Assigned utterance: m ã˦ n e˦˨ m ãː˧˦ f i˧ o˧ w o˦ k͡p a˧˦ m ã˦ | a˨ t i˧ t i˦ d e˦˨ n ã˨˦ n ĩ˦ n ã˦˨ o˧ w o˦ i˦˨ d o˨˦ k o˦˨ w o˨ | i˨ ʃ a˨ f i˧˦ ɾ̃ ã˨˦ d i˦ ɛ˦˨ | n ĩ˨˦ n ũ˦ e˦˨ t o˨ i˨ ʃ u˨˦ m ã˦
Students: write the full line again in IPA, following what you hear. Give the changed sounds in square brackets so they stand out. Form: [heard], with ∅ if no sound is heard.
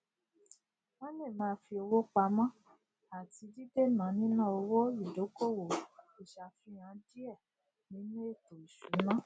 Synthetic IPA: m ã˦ n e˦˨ m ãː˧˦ f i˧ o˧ w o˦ k͡p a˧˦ m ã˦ | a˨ t i˧ [d] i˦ d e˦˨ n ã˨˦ n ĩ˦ n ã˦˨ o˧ w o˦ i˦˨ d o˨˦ k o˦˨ w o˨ | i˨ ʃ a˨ f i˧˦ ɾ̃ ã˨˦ d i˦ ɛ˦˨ | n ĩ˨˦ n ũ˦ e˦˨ t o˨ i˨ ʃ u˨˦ m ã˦